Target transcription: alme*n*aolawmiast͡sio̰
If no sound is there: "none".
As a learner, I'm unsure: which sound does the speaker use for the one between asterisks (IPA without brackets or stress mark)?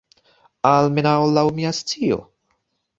n